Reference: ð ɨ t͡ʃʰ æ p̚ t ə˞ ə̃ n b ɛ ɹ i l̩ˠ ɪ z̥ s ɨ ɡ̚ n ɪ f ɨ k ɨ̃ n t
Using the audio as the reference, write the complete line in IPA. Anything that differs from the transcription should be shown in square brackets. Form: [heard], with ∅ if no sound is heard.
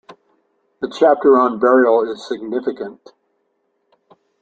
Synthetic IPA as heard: ð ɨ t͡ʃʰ æ p̚ t ə˞ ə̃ n b ɛ ɹ i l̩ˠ ɪ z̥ s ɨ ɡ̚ n ɪ f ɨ k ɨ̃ n t